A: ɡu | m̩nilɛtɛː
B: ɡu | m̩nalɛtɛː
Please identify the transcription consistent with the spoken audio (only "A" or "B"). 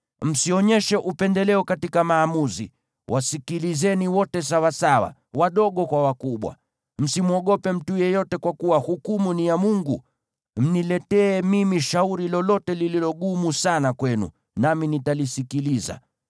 A